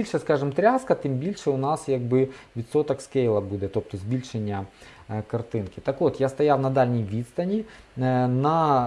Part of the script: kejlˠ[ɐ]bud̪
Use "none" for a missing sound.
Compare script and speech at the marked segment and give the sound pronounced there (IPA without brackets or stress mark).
ɐ